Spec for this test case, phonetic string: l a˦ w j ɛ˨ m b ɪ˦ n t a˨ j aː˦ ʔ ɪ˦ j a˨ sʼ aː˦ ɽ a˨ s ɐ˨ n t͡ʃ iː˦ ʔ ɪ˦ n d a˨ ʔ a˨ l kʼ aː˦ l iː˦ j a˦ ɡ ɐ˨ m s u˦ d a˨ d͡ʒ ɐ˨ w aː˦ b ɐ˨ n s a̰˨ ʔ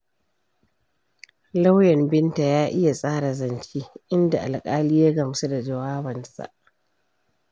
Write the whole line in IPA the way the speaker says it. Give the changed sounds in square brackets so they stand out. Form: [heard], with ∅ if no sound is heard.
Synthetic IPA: l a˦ w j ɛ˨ m b ɪ˦ n t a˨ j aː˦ ʔ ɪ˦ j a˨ sʼ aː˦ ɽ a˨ [z] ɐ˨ n t͡ʃ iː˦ ʔ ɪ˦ n d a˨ ʔ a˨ l kʼ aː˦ l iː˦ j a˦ ɡ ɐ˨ m s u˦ d a˨ d͡ʒ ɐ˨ w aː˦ b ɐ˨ n s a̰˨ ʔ

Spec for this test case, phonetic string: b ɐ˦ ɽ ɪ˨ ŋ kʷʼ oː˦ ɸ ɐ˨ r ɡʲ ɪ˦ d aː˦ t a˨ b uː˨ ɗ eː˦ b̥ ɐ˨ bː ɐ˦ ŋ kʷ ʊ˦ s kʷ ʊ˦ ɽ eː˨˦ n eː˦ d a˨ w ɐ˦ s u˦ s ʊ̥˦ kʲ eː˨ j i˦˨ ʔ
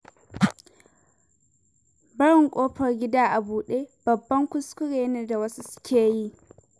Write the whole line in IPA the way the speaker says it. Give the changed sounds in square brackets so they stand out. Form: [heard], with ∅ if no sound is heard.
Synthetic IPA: b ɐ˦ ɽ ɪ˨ ŋ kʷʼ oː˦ ɸ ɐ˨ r ɡʲ ɪ˦ d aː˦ [ʔ] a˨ b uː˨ ɗ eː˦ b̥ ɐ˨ bː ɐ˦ ŋ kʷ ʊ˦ s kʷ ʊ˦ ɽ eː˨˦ n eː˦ d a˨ w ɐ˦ s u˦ s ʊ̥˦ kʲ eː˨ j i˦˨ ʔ

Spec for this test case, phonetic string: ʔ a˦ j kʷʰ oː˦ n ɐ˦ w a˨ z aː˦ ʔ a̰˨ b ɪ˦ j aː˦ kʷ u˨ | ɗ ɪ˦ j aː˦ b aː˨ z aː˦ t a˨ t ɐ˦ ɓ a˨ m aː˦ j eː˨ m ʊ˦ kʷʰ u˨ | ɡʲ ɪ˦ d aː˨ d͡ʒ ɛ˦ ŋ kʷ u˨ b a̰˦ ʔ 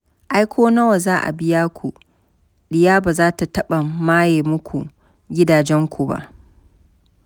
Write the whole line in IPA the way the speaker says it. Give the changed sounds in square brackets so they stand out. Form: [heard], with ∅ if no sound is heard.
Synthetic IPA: ʔ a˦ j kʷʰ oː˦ n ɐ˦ w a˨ z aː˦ ʔ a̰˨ b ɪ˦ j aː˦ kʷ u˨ | ɗ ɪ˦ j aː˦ b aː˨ z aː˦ t a˨ t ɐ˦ ɓ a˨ m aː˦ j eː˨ m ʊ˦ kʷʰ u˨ | ɡʲ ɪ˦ d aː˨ d͡ʒ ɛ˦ ŋ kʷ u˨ b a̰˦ ʔ

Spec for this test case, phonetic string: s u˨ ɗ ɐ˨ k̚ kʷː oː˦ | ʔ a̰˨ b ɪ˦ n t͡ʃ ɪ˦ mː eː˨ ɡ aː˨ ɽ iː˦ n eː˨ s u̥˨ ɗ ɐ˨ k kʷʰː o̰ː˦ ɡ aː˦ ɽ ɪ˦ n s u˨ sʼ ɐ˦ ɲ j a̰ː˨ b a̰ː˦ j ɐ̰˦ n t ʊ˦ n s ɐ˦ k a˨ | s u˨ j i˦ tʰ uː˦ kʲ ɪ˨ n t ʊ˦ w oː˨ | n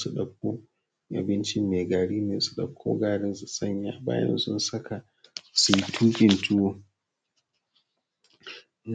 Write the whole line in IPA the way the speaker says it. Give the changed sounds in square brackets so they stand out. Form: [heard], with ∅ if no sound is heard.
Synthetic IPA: s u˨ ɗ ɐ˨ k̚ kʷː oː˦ | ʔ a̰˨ b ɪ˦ n t͡ʃ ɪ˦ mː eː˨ ɡ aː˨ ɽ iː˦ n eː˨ s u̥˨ ɗ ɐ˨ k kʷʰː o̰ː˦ ɡ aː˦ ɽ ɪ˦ n s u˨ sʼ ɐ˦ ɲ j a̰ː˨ b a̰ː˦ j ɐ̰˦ n [s] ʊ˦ n s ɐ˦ k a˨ | s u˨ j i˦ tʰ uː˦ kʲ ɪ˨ n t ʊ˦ w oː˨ | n

